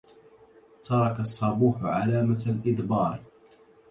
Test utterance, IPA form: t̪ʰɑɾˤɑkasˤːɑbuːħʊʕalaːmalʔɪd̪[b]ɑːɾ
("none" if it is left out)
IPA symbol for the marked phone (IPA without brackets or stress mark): b